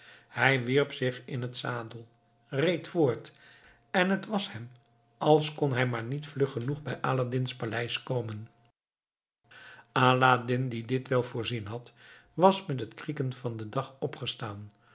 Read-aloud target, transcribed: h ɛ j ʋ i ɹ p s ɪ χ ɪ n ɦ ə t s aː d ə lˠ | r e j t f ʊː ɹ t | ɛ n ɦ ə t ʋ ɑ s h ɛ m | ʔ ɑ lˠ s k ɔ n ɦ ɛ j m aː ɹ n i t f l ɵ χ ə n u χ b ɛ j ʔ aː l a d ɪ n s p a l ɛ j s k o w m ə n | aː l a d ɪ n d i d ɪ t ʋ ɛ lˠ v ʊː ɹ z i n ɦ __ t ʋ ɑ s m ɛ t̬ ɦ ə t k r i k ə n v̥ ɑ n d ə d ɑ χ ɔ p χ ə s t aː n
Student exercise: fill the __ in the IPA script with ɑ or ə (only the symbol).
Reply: ɑ